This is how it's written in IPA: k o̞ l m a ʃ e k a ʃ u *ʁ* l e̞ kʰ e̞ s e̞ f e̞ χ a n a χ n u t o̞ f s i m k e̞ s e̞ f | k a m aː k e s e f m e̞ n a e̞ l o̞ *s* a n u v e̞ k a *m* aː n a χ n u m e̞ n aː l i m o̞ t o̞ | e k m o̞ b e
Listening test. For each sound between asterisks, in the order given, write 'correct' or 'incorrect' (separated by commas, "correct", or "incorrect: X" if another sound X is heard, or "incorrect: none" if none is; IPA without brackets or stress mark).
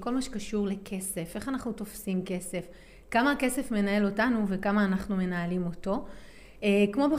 correct, incorrect: t, correct